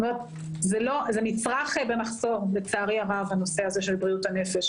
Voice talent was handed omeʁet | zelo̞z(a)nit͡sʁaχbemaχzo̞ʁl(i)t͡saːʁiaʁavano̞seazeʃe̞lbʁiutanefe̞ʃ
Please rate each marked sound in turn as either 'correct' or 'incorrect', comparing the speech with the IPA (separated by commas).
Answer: incorrect, incorrect